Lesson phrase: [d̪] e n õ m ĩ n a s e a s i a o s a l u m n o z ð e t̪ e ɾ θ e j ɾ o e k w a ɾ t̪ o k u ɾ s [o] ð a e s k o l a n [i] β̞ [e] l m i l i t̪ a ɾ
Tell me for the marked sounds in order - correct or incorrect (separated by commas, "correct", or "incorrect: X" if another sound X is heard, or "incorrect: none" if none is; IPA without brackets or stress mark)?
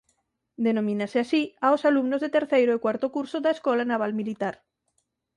correct, correct, incorrect: a, incorrect: a